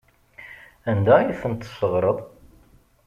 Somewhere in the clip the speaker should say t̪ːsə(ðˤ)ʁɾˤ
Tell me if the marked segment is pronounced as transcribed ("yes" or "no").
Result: no